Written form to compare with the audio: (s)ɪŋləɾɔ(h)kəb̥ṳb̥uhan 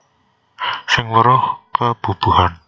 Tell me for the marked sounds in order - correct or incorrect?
correct, correct

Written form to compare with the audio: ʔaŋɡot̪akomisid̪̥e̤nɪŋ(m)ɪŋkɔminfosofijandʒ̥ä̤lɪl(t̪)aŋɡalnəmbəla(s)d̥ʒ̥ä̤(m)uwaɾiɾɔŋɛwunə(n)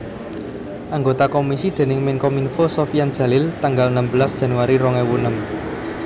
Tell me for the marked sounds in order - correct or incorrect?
correct, correct, correct, incorrect: n, incorrect: m

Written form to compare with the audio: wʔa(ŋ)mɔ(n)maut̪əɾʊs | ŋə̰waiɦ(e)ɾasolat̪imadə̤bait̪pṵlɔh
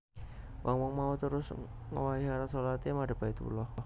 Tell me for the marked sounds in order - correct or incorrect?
correct, incorrect: ŋ, incorrect: a

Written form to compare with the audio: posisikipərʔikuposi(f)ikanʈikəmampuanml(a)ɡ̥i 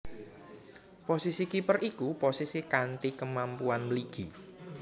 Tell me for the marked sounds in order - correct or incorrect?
incorrect: s, incorrect: i

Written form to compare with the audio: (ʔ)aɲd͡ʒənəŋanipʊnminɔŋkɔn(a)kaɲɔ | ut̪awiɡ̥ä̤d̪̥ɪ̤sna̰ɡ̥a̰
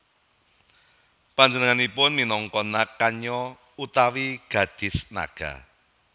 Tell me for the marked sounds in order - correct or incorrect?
incorrect: p, correct

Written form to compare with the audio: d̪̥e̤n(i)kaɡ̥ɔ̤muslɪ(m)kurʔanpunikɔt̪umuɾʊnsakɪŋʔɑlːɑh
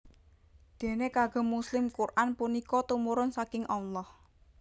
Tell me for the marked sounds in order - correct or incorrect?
incorrect: e, correct

